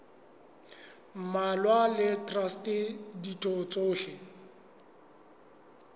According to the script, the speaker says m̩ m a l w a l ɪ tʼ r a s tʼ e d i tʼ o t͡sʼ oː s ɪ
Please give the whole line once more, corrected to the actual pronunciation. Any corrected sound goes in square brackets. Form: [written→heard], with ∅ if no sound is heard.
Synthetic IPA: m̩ m a l w a l ɪ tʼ r a s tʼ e d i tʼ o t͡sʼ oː [s→ʃ] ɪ